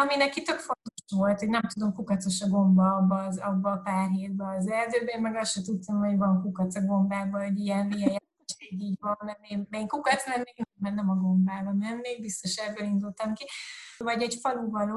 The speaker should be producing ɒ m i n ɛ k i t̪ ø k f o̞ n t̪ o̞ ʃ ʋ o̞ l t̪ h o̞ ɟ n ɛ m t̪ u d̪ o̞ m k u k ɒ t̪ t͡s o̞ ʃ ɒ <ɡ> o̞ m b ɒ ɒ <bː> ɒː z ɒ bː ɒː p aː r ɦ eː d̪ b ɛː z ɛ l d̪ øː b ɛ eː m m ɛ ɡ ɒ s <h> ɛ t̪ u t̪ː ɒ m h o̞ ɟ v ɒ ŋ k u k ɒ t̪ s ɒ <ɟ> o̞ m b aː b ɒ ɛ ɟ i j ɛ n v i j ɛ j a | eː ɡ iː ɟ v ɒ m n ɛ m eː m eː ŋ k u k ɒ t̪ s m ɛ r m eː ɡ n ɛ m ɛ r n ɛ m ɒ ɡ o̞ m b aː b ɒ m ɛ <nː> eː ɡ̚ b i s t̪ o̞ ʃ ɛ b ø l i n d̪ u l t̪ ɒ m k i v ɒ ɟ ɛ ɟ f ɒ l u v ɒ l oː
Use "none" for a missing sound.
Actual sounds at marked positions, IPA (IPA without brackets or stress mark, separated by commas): ɡ, bː, ʃ, ɡ, nː